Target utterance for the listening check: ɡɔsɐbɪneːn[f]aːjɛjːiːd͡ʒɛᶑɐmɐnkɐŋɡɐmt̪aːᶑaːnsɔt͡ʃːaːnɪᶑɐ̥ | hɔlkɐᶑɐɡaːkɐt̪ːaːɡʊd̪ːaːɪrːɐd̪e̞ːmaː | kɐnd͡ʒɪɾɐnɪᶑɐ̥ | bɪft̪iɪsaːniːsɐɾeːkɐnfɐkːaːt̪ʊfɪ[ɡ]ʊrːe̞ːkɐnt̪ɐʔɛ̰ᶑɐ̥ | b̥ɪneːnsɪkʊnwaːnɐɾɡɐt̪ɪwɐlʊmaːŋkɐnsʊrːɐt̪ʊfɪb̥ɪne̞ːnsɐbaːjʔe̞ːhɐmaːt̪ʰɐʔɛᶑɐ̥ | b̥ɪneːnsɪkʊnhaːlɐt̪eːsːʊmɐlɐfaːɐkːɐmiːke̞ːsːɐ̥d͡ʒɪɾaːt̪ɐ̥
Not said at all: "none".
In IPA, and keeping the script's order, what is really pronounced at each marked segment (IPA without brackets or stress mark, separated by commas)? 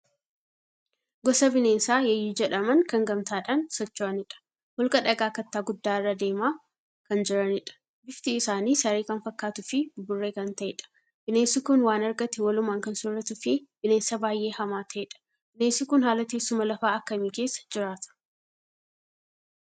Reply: s, b